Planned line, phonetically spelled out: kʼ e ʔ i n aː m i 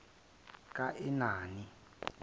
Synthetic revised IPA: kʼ a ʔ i n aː n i